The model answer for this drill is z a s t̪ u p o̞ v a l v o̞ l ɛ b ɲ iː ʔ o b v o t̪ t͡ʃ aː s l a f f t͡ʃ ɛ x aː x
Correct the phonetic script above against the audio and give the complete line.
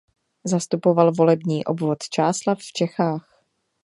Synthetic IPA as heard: z a s t̪ u p o̞ v a l v o̞ l ɛ b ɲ iː ʔ o b v o t̪ t͡ʃ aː s l a f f t͡ʃ ɛ x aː x